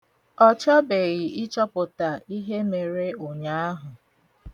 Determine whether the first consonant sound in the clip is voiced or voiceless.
voiceless